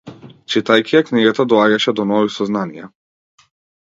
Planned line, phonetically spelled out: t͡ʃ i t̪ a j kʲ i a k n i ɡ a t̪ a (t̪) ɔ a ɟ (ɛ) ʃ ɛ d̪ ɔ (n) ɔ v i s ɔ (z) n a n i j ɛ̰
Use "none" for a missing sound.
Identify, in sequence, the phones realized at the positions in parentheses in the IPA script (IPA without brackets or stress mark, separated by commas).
d̪, a, n, z